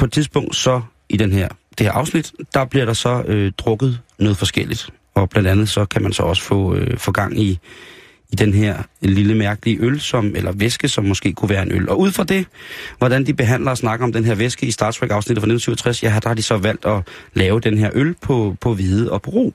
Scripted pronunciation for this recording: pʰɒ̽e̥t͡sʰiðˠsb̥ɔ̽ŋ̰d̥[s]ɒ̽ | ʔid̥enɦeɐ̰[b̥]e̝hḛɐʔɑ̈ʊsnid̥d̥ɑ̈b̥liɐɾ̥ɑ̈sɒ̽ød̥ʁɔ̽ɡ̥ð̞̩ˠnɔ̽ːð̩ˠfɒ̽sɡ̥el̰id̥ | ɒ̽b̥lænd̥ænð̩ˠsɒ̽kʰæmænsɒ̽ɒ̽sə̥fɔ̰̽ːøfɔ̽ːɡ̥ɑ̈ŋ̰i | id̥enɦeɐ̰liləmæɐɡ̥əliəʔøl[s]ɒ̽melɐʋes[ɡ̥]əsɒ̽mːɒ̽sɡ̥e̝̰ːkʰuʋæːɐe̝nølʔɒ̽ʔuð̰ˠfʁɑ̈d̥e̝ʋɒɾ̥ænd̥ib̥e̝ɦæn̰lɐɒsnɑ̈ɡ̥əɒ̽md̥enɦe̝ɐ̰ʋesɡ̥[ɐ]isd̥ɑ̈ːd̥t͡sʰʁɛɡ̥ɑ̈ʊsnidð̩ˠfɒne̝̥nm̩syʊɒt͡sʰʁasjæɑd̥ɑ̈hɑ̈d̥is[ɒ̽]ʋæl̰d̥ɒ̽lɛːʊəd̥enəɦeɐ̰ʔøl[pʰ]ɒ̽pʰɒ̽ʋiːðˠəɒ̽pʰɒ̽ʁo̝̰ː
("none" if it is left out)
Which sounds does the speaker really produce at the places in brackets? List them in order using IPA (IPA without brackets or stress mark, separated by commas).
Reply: s, d̥, s, ɡ̥, ə, ɒ̽, pʰ